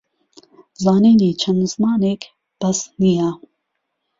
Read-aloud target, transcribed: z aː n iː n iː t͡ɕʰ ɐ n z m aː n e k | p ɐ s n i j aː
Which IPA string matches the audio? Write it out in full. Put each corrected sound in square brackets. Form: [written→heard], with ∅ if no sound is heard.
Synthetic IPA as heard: z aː n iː n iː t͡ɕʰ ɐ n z m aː n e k | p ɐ s n i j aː

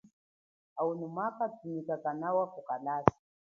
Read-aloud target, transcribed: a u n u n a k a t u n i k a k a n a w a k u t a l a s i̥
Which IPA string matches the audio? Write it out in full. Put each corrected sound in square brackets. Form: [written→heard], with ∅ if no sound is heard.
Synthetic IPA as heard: a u n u [n→m] a k a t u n i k a k a n a w a k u [t→k] a l a s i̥

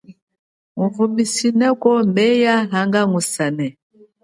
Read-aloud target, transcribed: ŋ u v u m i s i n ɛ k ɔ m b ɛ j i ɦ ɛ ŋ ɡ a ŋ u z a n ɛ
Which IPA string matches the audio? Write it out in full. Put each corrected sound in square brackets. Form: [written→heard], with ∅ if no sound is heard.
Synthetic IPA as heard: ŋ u v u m i s i n ɛ k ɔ m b ɛ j [i→a] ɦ [ɛ→a] ŋ ɡ a ŋ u [z→s] a n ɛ

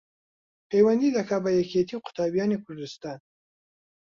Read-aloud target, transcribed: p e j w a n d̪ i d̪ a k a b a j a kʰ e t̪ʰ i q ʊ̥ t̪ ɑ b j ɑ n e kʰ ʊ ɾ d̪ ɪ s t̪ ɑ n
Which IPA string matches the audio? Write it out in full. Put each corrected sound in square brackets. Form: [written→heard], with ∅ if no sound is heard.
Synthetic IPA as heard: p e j w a n d̪ i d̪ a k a b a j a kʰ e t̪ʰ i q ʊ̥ t̪ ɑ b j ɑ n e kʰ ʊ ɾ d̪ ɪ s t̪ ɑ n

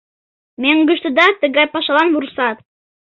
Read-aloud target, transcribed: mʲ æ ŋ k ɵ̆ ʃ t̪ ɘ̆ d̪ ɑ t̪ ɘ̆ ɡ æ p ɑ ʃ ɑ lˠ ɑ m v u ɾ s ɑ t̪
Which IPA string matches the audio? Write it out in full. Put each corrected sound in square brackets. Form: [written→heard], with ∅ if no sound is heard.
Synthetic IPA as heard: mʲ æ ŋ [k→ɡ] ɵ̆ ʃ t̪ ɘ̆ d̪ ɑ t̪ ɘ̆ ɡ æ p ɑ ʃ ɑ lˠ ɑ [m→n] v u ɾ s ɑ t̪

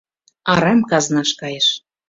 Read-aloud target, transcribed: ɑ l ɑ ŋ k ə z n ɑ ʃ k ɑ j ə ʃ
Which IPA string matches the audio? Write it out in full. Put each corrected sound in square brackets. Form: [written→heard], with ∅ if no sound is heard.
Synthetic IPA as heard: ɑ [l→ɾ] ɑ [ŋ→m] k [ə→ɑ] z n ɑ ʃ k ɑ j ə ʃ

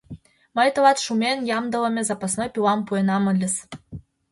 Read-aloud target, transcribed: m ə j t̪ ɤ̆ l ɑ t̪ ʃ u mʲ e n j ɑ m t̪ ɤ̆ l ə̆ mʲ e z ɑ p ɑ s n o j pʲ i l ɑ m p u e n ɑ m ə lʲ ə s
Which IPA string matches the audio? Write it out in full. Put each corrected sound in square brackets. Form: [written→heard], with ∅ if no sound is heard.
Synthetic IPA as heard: m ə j t̪ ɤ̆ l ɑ t̪ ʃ u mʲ e n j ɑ m [t̪→d̪] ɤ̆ l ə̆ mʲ e z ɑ p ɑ s n o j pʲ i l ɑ m p u e n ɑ m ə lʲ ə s

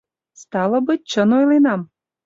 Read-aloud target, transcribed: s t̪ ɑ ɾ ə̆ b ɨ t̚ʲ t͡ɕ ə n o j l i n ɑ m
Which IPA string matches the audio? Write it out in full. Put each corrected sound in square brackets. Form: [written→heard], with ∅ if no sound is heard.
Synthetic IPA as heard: s t̪ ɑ [ɾ→l] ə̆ b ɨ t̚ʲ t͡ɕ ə n o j l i n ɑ m

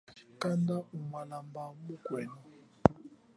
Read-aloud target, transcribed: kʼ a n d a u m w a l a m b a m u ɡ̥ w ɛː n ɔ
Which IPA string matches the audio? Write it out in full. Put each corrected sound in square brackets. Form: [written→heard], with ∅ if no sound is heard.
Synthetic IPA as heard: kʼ a n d a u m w a l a m b a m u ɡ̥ w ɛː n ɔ

